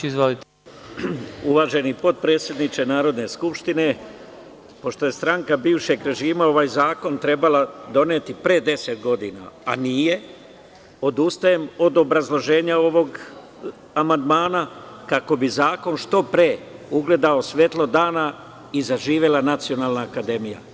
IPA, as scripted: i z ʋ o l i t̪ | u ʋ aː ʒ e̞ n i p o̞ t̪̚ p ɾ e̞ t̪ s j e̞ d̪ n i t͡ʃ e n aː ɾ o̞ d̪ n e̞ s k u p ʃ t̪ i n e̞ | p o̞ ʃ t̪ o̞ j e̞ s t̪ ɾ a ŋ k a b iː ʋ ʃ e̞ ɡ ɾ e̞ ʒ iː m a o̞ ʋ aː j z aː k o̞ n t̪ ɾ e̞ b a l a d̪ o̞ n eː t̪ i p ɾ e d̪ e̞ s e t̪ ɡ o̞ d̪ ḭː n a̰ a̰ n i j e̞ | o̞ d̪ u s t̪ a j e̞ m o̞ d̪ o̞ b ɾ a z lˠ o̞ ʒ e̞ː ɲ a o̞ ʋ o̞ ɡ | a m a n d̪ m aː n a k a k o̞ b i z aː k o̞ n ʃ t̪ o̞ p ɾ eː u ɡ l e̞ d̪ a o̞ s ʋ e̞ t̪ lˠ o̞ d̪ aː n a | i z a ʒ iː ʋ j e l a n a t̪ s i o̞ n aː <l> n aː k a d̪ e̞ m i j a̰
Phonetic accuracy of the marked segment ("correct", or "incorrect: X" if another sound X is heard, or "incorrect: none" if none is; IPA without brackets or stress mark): correct